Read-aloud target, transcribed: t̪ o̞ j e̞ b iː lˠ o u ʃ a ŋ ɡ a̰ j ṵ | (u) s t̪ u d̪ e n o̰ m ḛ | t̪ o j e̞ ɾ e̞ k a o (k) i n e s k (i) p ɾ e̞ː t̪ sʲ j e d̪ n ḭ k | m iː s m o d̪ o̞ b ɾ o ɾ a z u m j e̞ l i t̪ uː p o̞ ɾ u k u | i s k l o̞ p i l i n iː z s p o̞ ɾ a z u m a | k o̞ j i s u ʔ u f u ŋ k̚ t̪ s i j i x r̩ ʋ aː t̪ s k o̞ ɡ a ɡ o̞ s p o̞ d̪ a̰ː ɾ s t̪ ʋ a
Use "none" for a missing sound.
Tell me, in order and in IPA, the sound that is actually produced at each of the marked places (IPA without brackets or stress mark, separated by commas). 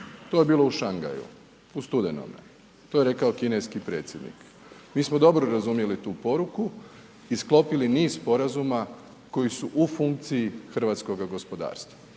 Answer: u, k, i